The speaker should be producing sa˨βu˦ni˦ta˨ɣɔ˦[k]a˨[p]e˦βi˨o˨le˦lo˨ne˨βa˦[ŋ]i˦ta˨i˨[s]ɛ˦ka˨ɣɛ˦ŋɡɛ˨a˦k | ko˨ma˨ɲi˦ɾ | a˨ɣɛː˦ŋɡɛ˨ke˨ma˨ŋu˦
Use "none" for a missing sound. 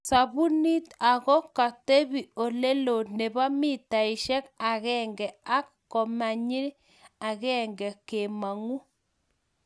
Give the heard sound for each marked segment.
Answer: k, t, m, ʃ

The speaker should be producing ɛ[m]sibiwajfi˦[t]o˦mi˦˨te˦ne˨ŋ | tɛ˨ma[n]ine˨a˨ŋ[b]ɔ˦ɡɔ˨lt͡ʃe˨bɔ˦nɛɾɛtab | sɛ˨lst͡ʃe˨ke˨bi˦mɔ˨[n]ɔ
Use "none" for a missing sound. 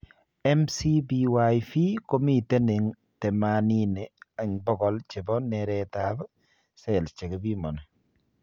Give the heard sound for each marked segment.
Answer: m, k, n, b, n

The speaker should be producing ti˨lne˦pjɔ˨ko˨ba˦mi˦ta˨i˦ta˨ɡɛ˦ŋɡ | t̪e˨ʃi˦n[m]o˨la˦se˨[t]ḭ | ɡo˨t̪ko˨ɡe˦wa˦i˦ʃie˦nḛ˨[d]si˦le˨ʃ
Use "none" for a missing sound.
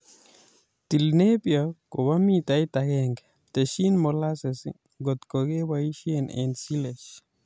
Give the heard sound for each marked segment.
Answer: m, s, n

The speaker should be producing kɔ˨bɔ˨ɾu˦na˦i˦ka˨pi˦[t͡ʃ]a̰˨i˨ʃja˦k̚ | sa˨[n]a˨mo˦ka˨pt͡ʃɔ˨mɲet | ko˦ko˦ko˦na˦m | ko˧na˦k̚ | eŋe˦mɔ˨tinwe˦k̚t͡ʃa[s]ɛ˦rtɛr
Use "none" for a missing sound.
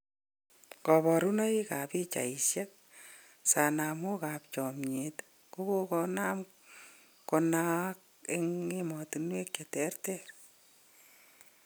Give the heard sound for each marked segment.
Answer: t͡ʃ, n, t

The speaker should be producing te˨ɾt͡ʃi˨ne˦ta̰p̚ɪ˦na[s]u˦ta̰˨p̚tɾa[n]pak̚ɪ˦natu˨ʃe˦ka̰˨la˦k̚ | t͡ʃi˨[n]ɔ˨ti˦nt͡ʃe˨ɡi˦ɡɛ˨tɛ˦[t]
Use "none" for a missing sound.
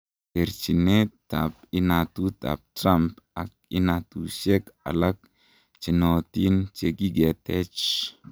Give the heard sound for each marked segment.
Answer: t, m, n, t͡ʃ

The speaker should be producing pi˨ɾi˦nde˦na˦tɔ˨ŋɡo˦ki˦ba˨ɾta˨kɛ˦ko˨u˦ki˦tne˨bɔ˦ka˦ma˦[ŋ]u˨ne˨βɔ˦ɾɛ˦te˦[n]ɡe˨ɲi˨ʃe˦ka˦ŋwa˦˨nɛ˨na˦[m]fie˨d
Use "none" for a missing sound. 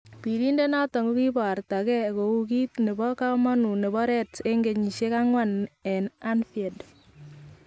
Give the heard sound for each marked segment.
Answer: n, ŋ, n

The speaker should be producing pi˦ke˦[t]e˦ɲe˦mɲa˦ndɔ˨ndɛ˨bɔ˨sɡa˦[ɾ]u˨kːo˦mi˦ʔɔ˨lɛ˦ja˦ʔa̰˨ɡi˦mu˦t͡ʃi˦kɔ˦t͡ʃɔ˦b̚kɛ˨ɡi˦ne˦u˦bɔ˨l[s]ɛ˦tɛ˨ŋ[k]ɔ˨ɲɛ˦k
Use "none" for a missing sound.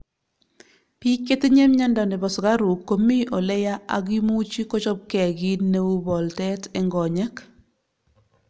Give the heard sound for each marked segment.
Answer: t, ɾ, t, ɡ

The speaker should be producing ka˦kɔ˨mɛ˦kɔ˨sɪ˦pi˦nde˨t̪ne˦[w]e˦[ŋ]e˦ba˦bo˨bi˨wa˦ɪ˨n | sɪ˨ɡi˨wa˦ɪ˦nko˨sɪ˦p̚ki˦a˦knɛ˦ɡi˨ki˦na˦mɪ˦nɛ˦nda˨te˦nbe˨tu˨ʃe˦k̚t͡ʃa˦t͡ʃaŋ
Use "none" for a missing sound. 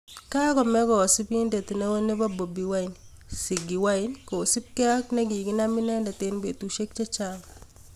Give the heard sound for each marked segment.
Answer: w, n

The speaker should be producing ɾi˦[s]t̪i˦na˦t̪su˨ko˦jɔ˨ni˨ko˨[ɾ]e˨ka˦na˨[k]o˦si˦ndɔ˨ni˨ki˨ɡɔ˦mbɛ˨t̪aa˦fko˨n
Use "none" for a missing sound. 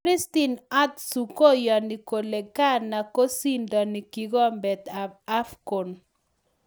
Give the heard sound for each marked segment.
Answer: s, l, k

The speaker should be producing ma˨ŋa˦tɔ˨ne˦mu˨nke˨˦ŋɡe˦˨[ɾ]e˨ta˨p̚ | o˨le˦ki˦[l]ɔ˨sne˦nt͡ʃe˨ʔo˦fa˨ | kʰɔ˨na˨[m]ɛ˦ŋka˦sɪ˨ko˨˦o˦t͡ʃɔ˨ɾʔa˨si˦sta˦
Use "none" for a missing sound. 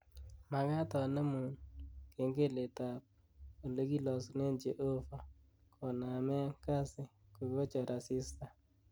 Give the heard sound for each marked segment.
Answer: l, l, m

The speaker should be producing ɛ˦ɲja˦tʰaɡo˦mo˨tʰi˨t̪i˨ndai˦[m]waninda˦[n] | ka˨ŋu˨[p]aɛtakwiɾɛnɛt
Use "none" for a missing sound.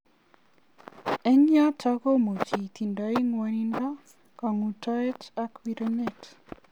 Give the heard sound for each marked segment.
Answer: ŋ, none, t

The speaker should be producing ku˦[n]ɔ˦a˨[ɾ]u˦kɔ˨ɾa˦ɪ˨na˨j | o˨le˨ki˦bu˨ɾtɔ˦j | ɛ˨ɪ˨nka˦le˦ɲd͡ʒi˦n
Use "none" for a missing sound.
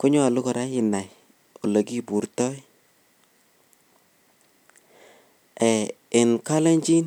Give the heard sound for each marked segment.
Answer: ɲ, l

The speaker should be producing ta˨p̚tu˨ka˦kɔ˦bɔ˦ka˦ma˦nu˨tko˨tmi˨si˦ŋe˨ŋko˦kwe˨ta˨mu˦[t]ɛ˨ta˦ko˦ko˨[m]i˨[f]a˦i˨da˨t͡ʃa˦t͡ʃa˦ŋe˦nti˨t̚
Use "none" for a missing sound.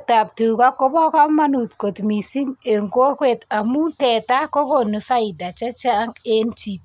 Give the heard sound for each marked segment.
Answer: t, n, f

